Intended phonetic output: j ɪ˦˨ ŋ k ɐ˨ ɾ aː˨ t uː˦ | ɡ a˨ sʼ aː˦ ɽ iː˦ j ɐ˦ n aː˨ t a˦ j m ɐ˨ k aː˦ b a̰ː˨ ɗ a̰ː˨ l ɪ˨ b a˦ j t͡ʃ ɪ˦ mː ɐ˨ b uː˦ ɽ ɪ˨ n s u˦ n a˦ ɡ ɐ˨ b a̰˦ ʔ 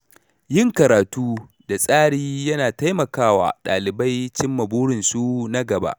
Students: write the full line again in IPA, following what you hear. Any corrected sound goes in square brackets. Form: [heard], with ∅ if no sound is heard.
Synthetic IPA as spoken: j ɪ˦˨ ŋ k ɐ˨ ɾ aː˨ t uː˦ | [d] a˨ sʼ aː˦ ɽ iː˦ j ɐ˦ n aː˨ t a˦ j m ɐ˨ k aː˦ [w] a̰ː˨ ɗ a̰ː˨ l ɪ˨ b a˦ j t͡ʃ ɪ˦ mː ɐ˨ b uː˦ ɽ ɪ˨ n s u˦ n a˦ ɡ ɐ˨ b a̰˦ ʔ